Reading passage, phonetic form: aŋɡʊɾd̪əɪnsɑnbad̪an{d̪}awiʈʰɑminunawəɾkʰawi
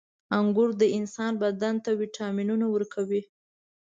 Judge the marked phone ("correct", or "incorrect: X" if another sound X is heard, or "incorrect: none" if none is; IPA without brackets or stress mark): incorrect: t̪